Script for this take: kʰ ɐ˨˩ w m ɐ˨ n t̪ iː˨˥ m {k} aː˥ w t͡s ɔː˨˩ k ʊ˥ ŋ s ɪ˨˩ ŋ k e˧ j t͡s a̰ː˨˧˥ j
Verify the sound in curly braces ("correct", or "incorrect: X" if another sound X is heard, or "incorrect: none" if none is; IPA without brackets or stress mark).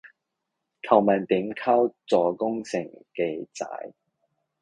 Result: incorrect: kʰ